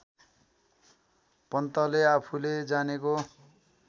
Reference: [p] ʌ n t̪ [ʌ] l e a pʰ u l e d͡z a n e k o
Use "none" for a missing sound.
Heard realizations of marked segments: p, ʌ

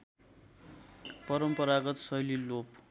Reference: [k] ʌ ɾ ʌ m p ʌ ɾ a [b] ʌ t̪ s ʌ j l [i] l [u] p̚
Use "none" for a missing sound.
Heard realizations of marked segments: p, ɡ, i, o

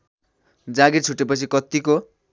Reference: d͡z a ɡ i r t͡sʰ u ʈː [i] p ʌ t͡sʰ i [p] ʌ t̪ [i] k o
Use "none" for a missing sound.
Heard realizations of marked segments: e, k, i

